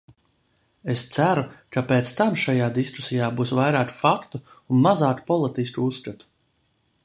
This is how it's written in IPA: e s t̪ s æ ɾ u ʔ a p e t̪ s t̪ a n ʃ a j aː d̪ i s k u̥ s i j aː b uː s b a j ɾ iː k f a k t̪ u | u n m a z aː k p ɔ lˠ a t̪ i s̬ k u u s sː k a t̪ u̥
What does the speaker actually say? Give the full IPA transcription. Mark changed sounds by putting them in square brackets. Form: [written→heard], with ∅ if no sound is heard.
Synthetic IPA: e s t̪ s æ ɾ u [ʔ→k] a p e t̪ s t̪ a [n→m] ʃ a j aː d̪ i s k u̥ s i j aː b uː s [b→v] a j ɾ [iː→aː] k f a k t̪ u | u n m a z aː k p ɔ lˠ [a→i] t̪ i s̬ k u u s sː k a t̪ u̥